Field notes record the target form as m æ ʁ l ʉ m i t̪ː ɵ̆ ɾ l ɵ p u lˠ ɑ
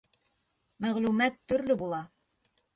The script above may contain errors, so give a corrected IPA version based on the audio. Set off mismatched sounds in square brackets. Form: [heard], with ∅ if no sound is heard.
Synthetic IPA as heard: m æ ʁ l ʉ m [æ] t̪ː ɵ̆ ɾ l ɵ [b] u lˠ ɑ